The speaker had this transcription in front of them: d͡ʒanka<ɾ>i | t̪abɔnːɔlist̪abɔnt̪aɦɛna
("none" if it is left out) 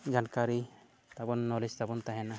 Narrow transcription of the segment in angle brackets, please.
ɾ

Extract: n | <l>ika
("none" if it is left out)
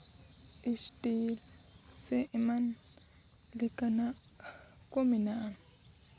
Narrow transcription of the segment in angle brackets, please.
l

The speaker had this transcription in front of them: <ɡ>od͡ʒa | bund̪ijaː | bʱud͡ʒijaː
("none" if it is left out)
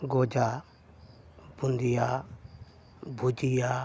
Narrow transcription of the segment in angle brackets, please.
ɡ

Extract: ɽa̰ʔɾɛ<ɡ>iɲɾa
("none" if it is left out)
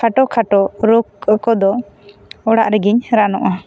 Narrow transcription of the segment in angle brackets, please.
ɡ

